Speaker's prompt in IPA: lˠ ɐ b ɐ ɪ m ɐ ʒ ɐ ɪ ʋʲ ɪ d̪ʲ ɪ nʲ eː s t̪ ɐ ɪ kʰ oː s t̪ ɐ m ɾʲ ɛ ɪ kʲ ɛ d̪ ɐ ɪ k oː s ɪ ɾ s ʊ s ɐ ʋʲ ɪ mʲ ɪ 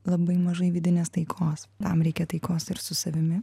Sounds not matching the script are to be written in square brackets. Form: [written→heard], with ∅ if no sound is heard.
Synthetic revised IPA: lˠ ɐ b ɐ ɪ m ɐ ʒ ɐ ɪ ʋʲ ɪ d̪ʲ ɪ nʲ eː s t̪ ɐ ɪ kʰ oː s t̪ ɐ m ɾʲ ɛ ɪ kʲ ɛ [d̪→t̪] ɐ ɪ k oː s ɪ ɾ s ʊ s ɐ ʋʲ ɪ mʲ ɪ